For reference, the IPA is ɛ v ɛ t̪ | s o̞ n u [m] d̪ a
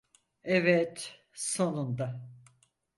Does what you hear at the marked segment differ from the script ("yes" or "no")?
yes